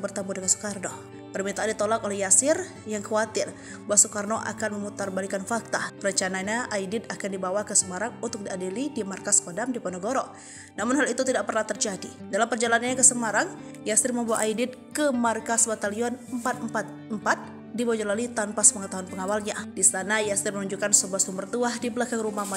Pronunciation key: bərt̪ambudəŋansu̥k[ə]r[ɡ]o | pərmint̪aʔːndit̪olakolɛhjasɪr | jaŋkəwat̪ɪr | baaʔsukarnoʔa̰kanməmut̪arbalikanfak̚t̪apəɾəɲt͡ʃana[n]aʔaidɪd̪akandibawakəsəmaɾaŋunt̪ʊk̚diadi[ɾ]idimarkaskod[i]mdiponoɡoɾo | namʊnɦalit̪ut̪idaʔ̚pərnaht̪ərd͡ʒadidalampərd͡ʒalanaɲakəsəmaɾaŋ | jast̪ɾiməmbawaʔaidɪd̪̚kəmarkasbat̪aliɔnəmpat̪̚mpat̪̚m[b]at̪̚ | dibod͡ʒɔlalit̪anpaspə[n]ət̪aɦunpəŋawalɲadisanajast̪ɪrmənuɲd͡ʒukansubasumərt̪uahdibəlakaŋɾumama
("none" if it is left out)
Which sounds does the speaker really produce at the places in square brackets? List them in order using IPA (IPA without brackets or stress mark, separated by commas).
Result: a, d, ɲ, l, a, p, ŋ